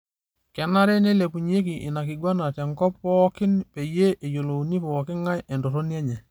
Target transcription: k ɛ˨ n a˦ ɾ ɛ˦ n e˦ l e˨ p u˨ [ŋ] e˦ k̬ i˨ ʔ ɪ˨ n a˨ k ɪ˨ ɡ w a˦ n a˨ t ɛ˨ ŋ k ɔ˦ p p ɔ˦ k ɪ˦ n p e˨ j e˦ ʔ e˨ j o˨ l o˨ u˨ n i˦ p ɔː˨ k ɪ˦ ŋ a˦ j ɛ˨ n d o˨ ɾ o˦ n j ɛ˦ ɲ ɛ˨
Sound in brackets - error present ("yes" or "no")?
yes